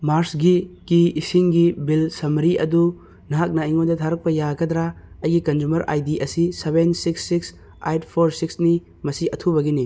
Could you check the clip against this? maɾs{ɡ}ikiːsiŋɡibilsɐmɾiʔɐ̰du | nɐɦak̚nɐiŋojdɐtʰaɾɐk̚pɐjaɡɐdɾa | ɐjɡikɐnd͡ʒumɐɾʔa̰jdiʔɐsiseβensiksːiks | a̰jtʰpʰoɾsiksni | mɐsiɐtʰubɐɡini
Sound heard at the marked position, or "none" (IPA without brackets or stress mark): ɡ